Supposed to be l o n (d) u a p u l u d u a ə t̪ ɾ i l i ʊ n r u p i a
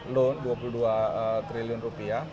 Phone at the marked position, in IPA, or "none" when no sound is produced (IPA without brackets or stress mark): d